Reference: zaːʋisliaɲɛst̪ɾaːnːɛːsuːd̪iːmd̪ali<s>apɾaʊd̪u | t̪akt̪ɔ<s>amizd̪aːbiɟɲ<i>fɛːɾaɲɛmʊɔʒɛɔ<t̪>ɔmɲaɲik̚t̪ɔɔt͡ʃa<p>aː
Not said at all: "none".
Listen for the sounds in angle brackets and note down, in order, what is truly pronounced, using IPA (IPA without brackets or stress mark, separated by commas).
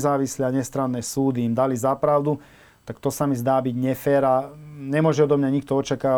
z, s, ɛ, d̪, k